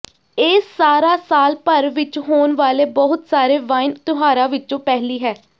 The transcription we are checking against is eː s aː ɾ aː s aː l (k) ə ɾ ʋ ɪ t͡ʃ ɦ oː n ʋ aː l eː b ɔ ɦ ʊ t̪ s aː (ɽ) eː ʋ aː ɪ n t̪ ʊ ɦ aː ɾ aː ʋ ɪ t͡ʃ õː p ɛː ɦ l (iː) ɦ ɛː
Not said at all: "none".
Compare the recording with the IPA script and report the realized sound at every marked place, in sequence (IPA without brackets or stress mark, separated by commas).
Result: p, ɾ, iː